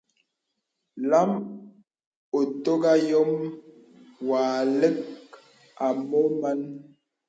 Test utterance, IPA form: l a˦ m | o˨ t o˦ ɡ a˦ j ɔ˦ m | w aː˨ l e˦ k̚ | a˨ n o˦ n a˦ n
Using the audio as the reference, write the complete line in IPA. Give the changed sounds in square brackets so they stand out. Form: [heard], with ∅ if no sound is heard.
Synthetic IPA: l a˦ m | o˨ t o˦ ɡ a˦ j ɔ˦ m | w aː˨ l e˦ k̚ | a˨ [m] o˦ [m] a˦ n

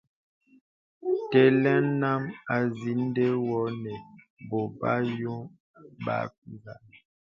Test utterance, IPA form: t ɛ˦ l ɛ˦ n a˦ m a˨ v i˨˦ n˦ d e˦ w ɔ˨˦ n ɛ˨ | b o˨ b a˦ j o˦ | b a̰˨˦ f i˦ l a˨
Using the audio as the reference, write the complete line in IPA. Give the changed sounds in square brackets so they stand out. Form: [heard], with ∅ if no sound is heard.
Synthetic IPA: t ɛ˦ l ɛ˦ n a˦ m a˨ [z] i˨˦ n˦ d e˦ w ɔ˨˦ n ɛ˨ | b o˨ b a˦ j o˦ | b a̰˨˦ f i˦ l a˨

